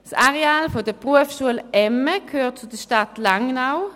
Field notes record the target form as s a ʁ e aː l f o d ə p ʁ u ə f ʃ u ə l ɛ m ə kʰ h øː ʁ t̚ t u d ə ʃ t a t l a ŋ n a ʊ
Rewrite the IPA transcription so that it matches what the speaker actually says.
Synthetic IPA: s a ʁ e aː l f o d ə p ʁ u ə f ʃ u ə l ɛ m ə kʰ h øː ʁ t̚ t͡s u d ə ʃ t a t l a ŋ n a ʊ